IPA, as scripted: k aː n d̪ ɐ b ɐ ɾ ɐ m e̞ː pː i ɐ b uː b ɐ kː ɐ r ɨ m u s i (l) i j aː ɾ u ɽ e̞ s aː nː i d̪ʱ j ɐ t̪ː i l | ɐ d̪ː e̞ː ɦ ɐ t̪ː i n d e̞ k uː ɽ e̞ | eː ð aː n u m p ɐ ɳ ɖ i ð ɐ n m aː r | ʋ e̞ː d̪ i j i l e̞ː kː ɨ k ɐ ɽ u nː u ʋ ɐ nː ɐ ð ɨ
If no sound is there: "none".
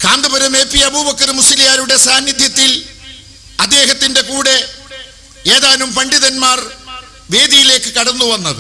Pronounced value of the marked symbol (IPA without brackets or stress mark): l